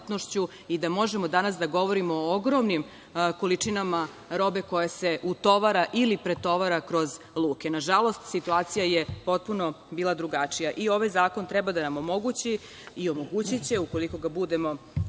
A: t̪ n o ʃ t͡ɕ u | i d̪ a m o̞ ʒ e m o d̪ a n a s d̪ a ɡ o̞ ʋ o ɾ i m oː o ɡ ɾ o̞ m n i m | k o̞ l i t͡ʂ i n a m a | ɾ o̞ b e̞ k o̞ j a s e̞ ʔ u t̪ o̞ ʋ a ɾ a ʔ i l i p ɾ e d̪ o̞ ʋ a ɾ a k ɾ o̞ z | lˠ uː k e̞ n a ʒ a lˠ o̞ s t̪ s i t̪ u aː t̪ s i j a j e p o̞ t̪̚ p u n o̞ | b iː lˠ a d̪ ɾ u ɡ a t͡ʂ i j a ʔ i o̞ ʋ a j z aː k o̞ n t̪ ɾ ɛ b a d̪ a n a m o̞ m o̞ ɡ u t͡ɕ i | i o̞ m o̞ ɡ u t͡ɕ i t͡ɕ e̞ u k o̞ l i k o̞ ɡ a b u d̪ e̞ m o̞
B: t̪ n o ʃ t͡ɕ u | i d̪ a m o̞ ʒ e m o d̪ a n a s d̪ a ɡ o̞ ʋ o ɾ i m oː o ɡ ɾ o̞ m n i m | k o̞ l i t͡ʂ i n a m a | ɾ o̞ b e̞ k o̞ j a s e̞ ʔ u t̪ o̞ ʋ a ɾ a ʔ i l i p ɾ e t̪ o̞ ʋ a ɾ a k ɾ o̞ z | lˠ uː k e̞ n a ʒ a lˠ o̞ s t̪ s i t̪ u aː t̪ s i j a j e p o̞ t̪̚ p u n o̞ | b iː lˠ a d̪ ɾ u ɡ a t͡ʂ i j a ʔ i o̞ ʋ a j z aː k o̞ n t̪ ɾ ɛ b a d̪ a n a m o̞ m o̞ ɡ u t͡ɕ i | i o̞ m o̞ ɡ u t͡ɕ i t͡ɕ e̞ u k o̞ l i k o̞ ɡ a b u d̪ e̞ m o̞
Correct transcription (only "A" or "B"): B